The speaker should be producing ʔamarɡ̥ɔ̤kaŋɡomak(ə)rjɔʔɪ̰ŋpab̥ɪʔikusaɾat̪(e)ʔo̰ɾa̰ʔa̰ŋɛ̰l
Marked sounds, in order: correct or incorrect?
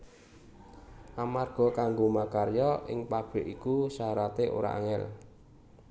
incorrect, correct

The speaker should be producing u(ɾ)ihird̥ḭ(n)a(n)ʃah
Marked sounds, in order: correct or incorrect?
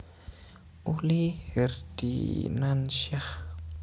incorrect, correct, correct

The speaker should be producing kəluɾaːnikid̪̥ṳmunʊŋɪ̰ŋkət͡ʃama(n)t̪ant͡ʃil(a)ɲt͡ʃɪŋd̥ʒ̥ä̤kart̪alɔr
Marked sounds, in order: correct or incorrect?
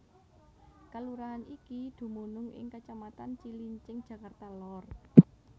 incorrect, incorrect

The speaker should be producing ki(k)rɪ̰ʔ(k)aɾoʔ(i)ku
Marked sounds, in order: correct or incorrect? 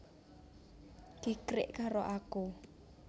correct, correct, incorrect

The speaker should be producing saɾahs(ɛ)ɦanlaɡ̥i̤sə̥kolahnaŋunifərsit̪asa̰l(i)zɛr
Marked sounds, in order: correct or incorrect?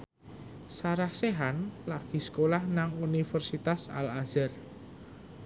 incorrect, incorrect

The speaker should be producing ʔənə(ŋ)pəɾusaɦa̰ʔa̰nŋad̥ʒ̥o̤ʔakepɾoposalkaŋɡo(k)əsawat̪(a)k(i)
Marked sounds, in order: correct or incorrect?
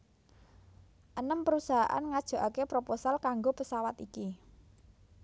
incorrect, incorrect, incorrect, correct

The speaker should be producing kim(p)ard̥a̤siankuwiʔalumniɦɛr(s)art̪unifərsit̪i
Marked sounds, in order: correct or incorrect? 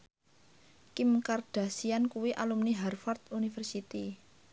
incorrect, incorrect

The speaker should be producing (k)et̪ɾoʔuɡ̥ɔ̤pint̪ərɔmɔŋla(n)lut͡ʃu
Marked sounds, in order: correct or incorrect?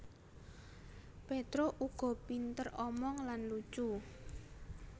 incorrect, correct

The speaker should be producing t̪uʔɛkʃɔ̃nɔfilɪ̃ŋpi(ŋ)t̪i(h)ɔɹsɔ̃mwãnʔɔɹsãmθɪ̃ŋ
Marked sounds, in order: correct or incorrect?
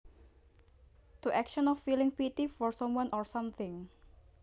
incorrect, incorrect

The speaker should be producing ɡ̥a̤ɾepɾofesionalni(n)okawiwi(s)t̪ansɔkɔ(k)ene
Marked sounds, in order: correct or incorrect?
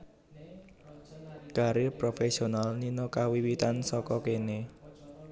correct, incorrect, correct

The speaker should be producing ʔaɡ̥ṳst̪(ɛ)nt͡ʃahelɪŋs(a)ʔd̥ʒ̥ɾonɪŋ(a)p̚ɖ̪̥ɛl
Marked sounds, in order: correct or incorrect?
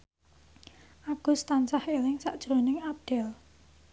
incorrect, correct, correct

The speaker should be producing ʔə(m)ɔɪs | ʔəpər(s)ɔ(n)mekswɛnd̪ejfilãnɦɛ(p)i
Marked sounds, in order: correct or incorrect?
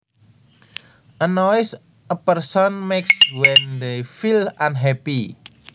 incorrect, correct, correct, correct

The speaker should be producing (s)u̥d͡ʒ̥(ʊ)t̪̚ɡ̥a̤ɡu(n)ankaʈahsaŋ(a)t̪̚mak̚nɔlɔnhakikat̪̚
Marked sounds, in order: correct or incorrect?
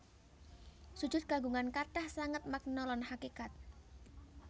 correct, correct, incorrect, incorrect

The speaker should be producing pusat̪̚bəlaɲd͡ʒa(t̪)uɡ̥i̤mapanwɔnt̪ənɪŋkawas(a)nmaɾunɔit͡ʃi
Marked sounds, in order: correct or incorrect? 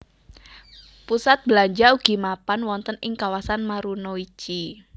incorrect, correct

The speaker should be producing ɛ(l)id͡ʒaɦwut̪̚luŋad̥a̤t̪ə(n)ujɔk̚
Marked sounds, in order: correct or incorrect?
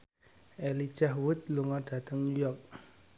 correct, incorrect

